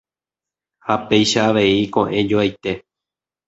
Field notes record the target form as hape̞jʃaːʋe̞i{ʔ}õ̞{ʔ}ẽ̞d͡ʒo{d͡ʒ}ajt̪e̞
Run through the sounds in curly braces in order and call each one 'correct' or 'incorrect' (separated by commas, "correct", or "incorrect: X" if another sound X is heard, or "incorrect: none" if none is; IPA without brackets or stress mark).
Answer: incorrect: k, correct, incorrect: none